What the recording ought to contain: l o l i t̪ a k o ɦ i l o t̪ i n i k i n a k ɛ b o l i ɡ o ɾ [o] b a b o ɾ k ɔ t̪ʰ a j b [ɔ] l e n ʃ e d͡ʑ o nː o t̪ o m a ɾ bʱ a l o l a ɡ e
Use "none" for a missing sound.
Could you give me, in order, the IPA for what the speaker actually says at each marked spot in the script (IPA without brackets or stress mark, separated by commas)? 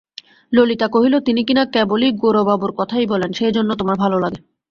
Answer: o, ɔ